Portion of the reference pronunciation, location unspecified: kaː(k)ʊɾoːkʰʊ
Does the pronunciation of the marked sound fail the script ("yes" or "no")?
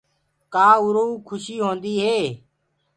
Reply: yes